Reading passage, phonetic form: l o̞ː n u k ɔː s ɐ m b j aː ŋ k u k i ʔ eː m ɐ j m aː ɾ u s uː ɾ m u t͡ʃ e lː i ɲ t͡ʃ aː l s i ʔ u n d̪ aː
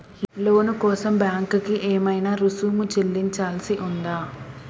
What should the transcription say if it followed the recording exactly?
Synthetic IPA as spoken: l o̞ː n u k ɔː s ɐ m b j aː ŋ k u k i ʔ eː m ɐ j n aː ɾ u s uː m u t͡ʃ e lː i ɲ t͡ʃ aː l s i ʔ u n d̪ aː